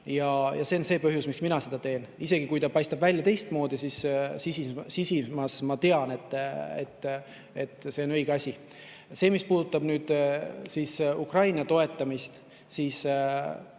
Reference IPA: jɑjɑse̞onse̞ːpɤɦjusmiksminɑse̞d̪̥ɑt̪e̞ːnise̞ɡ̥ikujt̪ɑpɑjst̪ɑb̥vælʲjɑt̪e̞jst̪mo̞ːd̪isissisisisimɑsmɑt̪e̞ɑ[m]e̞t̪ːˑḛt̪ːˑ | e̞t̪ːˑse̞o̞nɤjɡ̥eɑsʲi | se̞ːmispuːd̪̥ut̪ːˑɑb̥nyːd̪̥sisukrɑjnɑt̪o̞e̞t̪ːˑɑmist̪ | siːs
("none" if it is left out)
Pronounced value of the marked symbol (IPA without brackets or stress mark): n